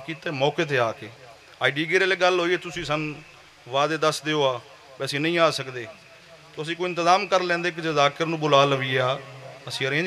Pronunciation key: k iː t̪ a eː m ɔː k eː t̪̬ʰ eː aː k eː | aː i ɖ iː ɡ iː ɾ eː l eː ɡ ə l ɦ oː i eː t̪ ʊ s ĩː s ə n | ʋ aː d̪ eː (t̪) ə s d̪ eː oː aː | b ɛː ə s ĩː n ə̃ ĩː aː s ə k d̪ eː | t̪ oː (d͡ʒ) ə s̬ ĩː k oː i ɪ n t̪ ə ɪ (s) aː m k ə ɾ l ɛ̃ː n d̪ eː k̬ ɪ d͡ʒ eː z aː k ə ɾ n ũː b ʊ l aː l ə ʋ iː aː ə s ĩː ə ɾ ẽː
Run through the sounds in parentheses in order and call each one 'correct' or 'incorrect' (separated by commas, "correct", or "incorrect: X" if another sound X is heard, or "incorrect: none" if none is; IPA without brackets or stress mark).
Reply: incorrect: d̪, incorrect: none, incorrect: z